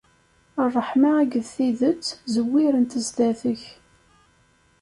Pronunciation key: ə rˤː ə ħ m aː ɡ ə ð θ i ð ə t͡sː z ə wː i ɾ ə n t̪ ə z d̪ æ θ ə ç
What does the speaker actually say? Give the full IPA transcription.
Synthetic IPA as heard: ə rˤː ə ħ m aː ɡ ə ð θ i ð ə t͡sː z ə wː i ɾ ə n t̪ ə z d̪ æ θ ə ç

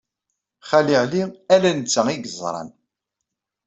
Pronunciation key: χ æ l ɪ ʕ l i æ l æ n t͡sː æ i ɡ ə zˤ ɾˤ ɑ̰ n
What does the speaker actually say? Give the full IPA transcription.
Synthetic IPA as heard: χ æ l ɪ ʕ l i æ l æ n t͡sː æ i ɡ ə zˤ ɾˤ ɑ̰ n

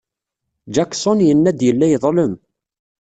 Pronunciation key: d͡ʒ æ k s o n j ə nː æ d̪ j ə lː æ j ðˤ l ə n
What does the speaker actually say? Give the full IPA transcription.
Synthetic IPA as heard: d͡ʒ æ k s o n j ə nː æ d̪ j ə lː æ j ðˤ l ə m

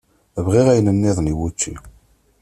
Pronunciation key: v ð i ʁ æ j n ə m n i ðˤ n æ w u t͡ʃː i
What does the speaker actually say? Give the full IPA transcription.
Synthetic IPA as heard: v ʁ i ʁ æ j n ə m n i ðˤ n i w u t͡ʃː i

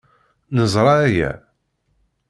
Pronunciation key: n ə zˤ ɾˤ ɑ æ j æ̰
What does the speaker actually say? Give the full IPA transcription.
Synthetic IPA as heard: n ə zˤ ɾˤ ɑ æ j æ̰

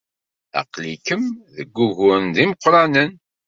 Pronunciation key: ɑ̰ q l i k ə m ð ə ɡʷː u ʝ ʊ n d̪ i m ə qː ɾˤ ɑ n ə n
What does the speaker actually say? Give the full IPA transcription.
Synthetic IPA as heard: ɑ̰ q l i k ə m ð ə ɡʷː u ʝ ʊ n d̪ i m ə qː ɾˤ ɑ n ə n

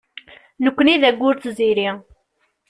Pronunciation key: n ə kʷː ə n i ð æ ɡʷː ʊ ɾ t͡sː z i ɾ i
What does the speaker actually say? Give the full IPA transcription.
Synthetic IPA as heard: n ə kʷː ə n i ð æ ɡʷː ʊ ɾ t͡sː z i ɾ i

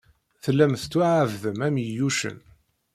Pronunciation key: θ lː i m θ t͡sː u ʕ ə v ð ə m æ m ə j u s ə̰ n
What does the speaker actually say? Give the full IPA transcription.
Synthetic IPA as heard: θ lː æ m θ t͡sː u ʕ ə v ð ə m æ m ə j u ʃ ə̰ n

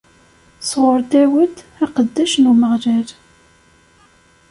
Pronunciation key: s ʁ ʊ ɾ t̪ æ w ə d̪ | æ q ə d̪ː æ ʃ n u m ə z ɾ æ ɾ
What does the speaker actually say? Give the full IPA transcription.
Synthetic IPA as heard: s ʁ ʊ ɾ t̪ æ w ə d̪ | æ q ə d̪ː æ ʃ n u m ə ʁ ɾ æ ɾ

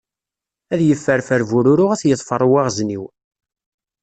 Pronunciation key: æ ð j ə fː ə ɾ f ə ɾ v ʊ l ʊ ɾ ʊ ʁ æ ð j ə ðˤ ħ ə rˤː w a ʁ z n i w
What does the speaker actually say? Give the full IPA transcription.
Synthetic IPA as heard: æ ð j ə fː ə ɾ f ə ɾ v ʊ ɾ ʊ ɾ ʊ ʁ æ θ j ə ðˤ f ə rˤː w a ʁ z n i w

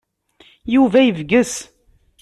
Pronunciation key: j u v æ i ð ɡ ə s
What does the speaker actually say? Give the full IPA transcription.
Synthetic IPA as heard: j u v æ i v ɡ ə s

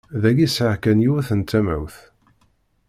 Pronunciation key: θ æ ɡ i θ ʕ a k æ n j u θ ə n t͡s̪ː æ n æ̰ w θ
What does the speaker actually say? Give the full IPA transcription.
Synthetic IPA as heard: ð æ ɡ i s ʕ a k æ n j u θ ə n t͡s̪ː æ m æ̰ w θ

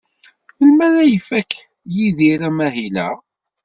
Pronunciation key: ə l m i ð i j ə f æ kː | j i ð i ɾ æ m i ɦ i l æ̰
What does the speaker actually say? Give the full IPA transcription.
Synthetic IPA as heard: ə l m æ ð æ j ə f æ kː | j i ð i ɾ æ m æ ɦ i l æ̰

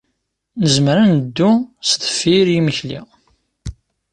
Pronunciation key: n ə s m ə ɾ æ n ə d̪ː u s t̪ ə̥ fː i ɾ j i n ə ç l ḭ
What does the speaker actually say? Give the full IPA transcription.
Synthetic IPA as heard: n ə z m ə ɾ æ n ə d̪ː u s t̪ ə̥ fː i ɾ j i m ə ç l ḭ

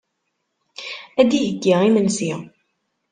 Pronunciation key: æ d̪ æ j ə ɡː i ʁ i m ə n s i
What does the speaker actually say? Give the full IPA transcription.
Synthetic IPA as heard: æ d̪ i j ə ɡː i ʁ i m ə n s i

